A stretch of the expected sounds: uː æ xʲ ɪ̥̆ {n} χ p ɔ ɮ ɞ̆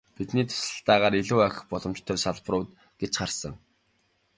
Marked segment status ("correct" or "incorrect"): incorrect